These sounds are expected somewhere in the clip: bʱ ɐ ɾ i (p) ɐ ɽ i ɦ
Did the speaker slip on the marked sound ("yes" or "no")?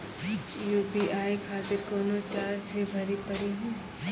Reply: no